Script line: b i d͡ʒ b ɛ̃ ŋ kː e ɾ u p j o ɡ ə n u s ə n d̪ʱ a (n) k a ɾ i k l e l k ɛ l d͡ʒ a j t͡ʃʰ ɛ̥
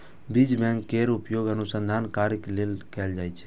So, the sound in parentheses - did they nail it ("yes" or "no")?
yes